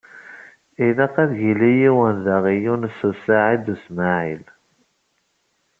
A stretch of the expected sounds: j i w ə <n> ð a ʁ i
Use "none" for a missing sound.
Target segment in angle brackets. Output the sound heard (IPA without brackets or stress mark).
n